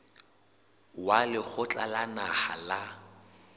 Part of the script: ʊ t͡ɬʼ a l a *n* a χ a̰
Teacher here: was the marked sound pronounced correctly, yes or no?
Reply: yes